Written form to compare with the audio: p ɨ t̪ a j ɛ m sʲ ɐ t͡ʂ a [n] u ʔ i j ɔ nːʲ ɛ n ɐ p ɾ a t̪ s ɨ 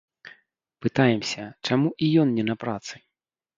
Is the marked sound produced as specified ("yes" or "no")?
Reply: no